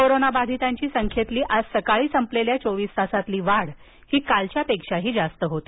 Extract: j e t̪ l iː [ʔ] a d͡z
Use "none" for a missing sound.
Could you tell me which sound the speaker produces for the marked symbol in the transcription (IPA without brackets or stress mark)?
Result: ʔ